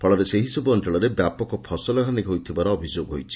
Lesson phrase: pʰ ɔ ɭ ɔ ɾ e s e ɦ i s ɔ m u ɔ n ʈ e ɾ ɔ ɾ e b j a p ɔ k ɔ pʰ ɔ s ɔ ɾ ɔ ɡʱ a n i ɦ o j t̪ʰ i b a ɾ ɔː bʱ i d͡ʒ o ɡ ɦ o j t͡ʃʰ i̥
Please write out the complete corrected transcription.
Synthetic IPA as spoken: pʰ ɔ ɭ ɔ ɾ e s e ɦ i s ɔ b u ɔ n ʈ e ɭ ɔ ɾ e b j a p ɔ k ɔ pʰ ɔ s ɔ l ɔ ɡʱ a n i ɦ o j t̪ʰ i b a ɾ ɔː bʱ i d͡ʒ o ɡ ɦ o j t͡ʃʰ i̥